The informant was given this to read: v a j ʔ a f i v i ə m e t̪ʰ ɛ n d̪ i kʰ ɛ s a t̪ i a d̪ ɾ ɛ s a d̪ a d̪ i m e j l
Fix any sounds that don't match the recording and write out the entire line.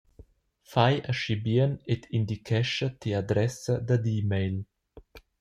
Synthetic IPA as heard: f a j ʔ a ʃ i b i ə n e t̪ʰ i n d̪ i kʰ ɛ ʃ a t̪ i a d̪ ɾ ɛ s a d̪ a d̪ i m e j l